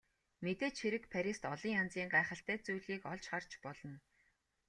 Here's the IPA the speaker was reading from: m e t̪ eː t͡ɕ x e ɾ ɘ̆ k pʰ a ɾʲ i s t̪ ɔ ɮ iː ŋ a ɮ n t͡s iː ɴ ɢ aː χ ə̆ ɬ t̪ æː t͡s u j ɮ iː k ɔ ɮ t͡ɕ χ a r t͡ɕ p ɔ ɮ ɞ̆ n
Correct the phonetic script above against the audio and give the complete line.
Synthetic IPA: m e t̪ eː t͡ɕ x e ɾ ɘ̆ k pʰ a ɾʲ i s t̪ ɔ ɮ iː ŋ a n t͡s iː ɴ ɢ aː χ ə̆ ɬ t̪ æː t͡s u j ɮ iː k ɔ ɮ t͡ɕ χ a r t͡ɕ p ɔ ɮ ɞ̆ n